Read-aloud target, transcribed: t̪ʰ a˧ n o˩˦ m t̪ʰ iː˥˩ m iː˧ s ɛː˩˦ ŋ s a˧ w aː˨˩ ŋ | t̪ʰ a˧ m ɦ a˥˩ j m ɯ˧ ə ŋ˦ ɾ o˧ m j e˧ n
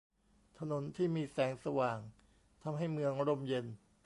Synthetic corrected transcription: t̪ʰ a˧ n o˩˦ n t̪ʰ iː˥˩ m iː˧ s ɛː˩˦ ŋ s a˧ w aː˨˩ ŋ | t̪ʰ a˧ m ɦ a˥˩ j m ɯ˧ ə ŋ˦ ɾ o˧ m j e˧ n